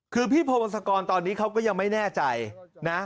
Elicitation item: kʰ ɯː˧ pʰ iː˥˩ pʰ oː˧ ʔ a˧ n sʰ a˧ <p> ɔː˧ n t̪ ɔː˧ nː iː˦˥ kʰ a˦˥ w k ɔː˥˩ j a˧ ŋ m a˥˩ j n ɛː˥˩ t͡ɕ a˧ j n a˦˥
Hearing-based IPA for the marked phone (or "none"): k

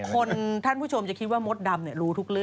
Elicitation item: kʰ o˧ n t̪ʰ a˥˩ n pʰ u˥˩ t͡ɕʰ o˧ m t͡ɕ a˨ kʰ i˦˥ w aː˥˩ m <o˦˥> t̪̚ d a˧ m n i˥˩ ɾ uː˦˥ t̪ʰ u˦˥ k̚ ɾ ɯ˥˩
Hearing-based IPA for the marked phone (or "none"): o˦˥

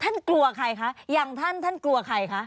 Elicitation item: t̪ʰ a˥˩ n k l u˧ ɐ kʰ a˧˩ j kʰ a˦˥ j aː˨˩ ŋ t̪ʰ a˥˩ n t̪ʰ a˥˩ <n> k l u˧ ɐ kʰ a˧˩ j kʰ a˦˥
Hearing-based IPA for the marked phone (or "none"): n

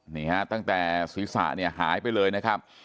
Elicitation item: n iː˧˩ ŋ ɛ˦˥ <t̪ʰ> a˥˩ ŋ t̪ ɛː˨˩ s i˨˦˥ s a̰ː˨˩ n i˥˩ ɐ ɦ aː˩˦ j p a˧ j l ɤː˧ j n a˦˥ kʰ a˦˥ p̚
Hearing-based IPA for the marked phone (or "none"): t̪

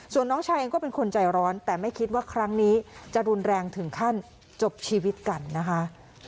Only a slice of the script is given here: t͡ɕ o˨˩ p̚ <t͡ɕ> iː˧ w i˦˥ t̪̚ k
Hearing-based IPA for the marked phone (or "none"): t͡ɕʰ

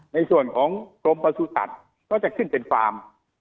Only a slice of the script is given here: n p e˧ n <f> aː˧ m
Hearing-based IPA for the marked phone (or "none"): f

